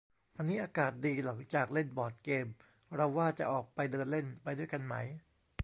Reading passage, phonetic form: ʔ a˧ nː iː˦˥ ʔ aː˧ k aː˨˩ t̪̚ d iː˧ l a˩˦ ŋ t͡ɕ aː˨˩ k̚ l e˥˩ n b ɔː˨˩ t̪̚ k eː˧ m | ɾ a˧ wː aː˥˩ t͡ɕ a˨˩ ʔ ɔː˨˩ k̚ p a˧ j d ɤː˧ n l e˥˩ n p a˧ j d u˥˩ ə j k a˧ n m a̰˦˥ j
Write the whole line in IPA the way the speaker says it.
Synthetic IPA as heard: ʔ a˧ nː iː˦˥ ʔ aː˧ k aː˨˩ t̪̚ d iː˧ l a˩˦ ŋ t͡ɕ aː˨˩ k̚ l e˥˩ n b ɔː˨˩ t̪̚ k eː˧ m | ɾ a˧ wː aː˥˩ t͡ɕ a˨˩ ʔ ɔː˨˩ k̚ p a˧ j d ɤː˧ n l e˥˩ n p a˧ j d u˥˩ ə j k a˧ n m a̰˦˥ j